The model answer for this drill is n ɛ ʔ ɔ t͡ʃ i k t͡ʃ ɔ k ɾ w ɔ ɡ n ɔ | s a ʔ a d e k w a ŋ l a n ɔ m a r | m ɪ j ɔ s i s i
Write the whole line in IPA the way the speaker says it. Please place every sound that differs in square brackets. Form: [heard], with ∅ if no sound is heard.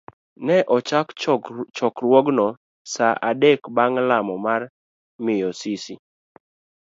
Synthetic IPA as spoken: n ɛ ʔ ɔ t͡ʃ [a] k t͡ʃ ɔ k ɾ w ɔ ɡ n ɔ | s a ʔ a d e k [b] a ŋ l a [m] ɔ m a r | m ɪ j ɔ s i s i